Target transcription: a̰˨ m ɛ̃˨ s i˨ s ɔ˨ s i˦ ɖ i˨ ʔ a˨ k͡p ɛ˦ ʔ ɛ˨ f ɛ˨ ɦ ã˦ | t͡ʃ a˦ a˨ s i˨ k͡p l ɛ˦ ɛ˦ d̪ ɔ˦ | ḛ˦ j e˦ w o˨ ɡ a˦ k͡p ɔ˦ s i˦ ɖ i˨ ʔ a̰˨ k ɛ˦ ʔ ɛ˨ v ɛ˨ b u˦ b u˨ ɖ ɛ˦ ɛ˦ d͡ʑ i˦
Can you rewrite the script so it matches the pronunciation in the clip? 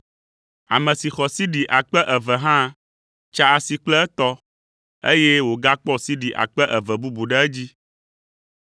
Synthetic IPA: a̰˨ m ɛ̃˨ s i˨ x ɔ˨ s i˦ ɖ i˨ ʔ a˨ k͡p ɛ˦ ʔ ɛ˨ v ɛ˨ ɦ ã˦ | t͡ʃ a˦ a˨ s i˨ k͡p l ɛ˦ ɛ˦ t̪ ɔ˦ | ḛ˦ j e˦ w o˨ ɡ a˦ k͡p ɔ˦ s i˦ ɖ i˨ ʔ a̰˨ k͡p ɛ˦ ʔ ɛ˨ v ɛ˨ b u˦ b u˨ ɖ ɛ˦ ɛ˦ d͡ʑ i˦